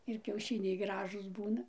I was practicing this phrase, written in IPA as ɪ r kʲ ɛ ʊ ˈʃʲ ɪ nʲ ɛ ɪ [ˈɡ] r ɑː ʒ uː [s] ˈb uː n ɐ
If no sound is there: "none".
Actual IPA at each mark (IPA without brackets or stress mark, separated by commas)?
ɡ, s